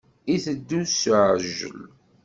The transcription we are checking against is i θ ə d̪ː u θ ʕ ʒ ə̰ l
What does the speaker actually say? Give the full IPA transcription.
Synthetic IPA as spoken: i θ ə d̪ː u s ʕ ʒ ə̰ l